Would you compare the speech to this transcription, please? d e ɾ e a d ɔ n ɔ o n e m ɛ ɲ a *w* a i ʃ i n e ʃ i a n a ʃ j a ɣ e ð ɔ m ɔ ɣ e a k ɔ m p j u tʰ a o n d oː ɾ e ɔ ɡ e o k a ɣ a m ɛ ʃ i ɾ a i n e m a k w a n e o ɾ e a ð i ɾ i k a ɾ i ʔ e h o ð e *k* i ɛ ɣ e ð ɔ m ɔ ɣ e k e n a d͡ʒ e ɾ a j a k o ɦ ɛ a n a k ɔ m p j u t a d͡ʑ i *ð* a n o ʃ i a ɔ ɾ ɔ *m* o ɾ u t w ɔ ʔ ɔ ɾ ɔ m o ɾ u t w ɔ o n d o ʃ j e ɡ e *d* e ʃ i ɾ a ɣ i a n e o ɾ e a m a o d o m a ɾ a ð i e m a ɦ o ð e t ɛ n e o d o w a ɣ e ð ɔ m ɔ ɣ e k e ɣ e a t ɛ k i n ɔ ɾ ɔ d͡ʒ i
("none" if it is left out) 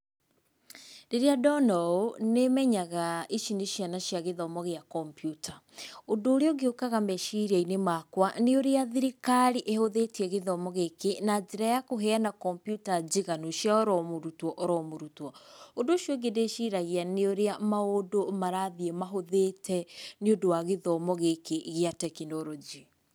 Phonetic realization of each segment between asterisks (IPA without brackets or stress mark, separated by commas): ɣ, t, ɣ, m, d